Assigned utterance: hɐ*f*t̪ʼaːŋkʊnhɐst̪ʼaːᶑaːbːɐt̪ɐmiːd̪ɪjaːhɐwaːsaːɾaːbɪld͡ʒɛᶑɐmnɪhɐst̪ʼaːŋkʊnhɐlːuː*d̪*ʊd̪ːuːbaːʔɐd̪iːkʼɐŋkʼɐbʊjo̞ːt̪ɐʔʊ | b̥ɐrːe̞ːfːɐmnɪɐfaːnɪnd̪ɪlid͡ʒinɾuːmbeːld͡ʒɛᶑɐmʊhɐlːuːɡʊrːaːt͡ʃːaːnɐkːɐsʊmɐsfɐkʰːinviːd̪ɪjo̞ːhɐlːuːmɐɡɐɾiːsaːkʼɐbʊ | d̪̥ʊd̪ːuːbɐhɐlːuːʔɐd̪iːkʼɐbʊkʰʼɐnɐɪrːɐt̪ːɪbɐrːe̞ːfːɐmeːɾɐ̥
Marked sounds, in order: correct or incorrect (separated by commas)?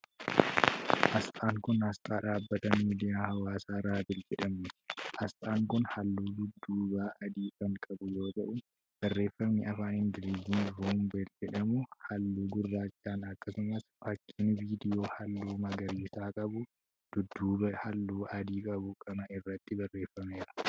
incorrect, correct